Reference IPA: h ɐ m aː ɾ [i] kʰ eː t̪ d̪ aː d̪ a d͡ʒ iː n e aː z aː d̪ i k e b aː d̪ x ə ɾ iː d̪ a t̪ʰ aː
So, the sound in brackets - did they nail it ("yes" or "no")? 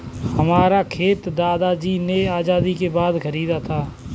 no